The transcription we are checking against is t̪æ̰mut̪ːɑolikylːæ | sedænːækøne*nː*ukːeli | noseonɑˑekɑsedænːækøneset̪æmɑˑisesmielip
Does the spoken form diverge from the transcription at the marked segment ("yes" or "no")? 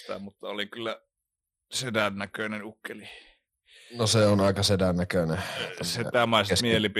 yes